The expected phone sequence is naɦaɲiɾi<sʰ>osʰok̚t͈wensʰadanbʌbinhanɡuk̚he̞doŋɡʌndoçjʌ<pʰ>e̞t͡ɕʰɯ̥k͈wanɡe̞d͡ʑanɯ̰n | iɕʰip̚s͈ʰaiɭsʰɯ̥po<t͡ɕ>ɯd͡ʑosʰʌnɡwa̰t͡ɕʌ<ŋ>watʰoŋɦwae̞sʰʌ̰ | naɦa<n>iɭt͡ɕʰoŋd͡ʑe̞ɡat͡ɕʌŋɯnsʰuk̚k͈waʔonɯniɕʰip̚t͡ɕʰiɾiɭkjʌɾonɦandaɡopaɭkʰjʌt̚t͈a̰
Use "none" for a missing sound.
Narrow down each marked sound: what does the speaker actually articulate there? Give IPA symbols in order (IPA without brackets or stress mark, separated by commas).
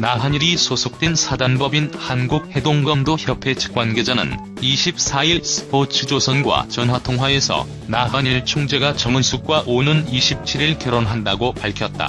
sʰ, pʰ, t͡ɕʰ, n, ɲ